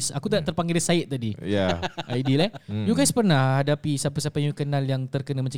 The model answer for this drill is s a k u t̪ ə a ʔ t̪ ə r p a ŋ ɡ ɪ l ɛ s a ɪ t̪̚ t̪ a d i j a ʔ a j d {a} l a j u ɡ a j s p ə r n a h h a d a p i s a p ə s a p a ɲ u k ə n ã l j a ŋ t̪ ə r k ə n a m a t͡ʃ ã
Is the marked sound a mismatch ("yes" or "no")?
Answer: yes